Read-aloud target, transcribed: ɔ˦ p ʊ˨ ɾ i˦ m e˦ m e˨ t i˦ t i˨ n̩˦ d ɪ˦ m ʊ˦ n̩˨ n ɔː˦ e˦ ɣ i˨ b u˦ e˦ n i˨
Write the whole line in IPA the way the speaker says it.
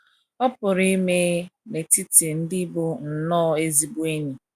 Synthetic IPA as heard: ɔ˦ p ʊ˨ ɾ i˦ m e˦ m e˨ t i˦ t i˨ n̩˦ d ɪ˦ b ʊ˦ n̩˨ n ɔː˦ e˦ z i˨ b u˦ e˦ ɲ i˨